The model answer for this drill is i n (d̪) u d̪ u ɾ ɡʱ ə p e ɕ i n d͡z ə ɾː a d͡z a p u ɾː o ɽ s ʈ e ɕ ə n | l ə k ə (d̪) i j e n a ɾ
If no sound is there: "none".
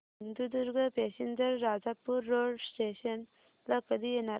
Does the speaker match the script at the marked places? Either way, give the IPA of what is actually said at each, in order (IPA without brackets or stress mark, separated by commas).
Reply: d̪, d̪